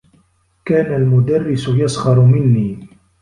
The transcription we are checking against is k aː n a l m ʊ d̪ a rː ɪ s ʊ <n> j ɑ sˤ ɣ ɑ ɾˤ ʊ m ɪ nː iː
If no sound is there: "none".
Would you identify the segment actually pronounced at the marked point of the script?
none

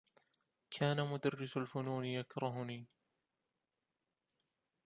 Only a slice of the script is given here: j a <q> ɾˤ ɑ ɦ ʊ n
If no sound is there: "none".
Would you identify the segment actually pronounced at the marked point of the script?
k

